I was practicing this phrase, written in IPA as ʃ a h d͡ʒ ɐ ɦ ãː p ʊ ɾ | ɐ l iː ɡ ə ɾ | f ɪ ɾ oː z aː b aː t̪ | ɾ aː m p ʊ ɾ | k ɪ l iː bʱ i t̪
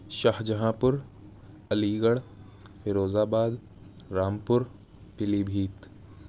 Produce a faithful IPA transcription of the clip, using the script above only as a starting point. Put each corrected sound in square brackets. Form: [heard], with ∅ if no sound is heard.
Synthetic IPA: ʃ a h d͡ʒ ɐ ɦ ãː p ʊ ɾ | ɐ l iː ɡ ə [ɽ] | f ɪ ɾ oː z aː b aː [d̪] | ɾ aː m p ʊ ɾ | [p] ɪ l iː bʱ [iː] t̪